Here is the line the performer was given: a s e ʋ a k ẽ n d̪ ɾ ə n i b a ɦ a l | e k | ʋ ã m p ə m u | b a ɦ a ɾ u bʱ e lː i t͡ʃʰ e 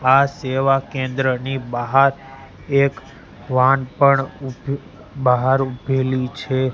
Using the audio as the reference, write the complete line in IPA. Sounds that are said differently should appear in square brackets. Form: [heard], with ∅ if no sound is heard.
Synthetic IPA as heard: a s e ʋ a k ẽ n d̪ ɾ ə n i b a ɦ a [ɾ] | e k | ʋ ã [n] p ə [ɳ] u | b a ɦ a ɾ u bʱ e [l] i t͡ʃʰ e

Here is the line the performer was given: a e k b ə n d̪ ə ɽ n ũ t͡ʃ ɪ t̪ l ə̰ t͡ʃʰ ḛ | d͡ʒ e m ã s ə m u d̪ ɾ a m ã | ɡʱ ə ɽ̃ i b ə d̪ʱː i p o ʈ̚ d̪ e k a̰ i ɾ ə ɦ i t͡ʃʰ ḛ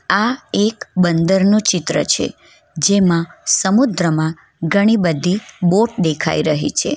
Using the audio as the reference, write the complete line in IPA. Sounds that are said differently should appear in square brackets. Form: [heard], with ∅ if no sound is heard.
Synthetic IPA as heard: a e k b ə n d̪ ə [ɾ] n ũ t͡ʃ ɪ t̪ [ɾ] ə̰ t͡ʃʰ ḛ | d͡ʒ e m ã s ə m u d̪ ɾ [ə] m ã | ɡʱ ə ɽ̃ i b ə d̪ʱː i [b] o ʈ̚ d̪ e [kʰ] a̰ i ɾ ə ɦ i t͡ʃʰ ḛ

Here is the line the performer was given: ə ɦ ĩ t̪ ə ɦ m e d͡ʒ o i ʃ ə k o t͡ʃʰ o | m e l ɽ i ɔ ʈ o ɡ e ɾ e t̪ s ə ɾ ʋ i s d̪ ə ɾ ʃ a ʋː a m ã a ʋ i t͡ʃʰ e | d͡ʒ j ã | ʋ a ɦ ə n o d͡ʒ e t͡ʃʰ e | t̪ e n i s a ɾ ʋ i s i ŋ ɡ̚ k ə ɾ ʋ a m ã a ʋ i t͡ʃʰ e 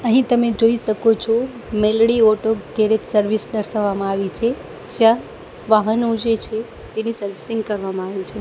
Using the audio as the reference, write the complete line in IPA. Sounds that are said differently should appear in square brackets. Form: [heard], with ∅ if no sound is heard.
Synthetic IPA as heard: ə ɦ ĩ t̪ ə [∅] m e d͡ʒ o i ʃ ə k o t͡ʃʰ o | m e l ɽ i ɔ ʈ o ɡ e ɾ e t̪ s ə ɾ ʋ i s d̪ ə ɾ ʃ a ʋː a m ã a ʋ i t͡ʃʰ e | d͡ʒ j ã | ʋ a ɦ ə n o d͡ʒ e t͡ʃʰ e | t̪ e n i s [ə] ɾ ʋ i s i ŋ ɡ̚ k ə ɾ ʋ a m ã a ʋ i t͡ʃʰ e

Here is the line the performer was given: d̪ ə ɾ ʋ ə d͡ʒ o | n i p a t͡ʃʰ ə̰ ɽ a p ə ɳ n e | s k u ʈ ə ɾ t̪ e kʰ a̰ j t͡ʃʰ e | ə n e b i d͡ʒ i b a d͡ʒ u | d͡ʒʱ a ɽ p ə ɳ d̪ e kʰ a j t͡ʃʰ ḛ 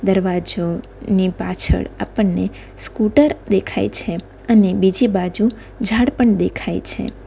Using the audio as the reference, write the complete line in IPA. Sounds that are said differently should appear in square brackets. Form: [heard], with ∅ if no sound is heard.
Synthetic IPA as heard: d̪ ə ɾ ʋ [a] d͡ʒ o | n i p a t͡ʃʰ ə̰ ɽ a p ə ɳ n e | s k u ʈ ə ɾ [d̪] e kʰ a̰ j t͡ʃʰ e | ə n e b i d͡ʒ i b a d͡ʒ u | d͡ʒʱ a ɽ p ə ɳ d̪ e kʰ a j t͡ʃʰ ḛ

